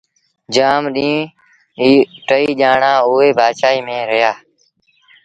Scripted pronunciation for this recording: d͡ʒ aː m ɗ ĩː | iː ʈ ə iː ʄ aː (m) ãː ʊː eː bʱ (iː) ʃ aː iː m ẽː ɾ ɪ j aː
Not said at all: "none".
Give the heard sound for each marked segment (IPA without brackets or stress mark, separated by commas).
ɳ, aː